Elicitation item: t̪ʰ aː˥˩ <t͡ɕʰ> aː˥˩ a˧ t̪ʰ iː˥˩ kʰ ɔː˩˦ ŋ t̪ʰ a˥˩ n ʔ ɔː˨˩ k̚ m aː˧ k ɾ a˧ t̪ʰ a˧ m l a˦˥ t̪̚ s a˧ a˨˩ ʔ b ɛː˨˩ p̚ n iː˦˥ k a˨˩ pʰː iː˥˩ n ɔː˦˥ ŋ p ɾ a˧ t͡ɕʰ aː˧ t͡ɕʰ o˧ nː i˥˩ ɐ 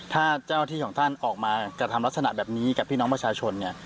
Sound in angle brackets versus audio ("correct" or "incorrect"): incorrect